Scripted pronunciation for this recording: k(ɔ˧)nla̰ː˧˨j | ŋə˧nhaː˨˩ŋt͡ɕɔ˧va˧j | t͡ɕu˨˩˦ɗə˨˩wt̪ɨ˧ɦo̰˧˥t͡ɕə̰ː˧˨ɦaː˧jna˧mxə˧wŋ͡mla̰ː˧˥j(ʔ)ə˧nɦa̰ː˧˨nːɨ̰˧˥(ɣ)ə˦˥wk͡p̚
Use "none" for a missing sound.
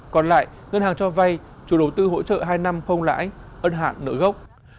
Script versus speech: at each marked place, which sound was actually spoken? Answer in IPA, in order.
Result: ɔ˨˩, ʔ, ɣ

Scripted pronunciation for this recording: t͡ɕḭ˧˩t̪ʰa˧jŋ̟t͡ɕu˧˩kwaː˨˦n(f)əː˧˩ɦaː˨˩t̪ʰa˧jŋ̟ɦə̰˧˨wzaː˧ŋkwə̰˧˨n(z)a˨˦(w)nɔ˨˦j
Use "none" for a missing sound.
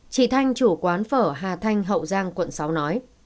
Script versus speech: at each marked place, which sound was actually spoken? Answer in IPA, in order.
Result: f, s, w

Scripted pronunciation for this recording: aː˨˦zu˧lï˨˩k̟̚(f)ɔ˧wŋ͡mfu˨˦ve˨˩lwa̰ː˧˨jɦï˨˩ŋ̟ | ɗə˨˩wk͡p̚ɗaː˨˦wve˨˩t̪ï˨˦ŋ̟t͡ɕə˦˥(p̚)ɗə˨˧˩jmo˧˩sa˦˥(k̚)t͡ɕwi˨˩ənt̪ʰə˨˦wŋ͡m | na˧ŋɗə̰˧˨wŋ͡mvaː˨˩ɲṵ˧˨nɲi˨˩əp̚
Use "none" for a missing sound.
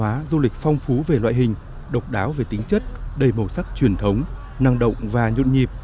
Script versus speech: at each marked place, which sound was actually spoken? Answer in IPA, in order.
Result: f, t̚, k̚

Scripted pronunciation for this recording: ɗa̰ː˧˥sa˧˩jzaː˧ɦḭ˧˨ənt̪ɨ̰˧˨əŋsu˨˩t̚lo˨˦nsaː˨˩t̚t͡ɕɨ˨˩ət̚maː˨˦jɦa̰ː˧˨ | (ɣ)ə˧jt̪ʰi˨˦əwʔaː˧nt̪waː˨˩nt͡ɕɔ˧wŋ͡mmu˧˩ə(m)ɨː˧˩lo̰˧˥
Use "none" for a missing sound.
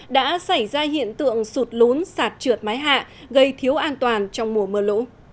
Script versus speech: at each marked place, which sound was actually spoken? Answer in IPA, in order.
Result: ɣ, m

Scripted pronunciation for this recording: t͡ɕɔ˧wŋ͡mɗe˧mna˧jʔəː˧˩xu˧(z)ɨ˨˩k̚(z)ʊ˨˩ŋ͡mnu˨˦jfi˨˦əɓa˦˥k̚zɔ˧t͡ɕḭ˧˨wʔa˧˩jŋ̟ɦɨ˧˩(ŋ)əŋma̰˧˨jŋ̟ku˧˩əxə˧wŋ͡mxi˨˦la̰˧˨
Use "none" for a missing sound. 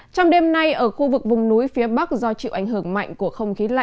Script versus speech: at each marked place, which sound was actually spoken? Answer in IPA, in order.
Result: v, v, none

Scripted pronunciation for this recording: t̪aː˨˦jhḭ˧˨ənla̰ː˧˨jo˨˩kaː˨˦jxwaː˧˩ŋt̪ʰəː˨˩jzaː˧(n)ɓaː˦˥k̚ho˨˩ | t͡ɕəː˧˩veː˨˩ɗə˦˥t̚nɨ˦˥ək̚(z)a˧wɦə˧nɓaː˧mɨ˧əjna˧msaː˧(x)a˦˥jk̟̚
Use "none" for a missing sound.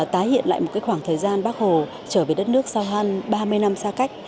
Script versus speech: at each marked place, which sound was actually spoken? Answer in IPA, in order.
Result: n, s, k

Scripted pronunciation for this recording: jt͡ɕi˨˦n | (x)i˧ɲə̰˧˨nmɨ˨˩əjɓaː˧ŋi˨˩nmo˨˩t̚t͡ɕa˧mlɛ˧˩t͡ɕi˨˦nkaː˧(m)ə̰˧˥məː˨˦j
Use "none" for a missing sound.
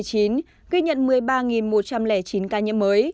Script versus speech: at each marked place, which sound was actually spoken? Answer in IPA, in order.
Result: ɣ, ɲ

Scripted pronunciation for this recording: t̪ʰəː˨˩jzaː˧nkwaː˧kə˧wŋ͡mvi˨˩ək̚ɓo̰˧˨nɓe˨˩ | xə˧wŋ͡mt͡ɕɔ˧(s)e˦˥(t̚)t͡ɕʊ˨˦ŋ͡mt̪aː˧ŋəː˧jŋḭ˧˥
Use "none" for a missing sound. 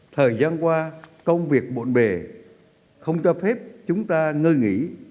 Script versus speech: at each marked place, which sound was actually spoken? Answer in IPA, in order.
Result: f, p̚

